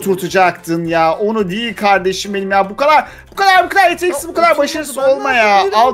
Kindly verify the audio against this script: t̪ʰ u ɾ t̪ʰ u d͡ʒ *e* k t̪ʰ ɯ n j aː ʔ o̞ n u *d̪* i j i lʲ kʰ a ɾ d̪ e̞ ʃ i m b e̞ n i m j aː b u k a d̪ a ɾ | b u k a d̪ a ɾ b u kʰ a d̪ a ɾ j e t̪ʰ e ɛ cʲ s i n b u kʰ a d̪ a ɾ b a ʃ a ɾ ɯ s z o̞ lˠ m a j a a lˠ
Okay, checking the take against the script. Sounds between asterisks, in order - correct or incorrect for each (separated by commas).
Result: incorrect, correct